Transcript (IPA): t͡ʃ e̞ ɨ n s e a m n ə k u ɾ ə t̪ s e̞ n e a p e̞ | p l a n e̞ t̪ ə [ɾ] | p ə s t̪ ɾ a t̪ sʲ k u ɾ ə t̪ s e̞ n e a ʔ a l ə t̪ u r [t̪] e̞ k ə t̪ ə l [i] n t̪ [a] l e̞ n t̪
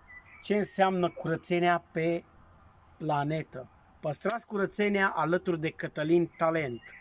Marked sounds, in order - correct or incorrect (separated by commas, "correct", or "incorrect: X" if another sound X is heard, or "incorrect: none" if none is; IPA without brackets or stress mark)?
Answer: incorrect: none, incorrect: d̪, correct, correct